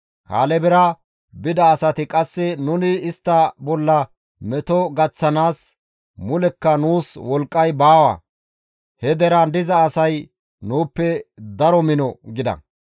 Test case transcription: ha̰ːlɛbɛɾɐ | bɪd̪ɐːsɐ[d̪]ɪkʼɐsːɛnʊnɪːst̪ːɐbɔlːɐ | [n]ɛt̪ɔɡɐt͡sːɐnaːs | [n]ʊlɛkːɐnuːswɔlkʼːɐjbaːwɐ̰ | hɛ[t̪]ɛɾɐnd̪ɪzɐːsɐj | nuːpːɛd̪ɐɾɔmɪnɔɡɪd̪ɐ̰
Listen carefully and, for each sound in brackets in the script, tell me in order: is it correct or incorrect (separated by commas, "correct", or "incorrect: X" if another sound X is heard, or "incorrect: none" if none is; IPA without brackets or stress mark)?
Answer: incorrect: t̪, incorrect: m, incorrect: m, incorrect: d̪